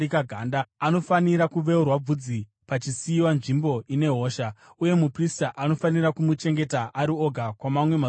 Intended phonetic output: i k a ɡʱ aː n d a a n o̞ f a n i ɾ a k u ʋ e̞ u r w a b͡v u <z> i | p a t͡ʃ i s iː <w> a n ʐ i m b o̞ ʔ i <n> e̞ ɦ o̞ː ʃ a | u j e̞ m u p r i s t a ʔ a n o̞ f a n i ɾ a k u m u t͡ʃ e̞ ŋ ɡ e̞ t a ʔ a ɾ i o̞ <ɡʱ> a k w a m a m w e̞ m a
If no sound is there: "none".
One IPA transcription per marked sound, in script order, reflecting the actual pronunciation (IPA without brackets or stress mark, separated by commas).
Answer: d͡z, w, n, ɡʱ